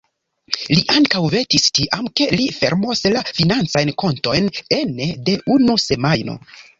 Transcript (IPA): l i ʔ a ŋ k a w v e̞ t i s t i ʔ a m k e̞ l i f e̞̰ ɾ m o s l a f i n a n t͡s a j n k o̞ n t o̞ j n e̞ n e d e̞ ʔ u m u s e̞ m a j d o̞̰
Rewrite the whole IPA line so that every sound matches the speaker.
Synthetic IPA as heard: l i ʔ a ŋ k a w v e̞ t i s t i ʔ a m k e̞ l i f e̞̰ ɾ m o s l a f i n a n t͡s a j n k o̞ n t o̞ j n e̞ n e d e̞ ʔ u n u s e̞ m a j n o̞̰